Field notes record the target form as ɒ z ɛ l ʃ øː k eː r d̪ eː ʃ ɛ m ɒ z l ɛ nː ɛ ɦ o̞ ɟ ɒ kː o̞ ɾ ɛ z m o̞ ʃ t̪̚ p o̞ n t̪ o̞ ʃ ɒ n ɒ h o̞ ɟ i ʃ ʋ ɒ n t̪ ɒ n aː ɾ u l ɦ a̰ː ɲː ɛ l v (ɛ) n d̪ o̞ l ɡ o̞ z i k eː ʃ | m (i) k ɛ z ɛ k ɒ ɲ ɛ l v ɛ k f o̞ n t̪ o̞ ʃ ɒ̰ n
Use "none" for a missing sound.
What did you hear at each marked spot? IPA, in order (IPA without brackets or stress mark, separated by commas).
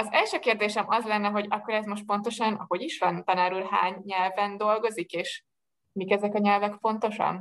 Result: ɛ, i